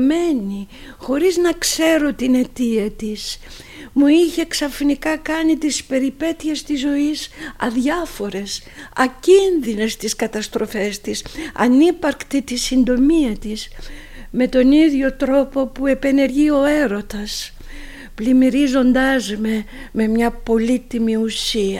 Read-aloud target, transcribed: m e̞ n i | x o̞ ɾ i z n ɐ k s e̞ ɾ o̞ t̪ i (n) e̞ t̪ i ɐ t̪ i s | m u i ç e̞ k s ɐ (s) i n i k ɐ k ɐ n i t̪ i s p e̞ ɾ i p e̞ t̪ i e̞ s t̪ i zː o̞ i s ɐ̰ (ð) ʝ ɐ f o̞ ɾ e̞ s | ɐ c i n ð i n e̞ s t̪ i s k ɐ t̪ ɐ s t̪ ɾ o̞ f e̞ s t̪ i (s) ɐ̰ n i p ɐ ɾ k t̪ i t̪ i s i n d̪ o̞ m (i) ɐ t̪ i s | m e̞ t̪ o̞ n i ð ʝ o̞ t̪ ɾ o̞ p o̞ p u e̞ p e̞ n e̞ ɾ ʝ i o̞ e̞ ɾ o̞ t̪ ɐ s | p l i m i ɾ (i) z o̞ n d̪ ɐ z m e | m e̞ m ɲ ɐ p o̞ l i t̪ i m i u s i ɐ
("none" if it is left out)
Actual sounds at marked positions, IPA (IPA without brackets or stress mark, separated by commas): n, f, ð, s, i, i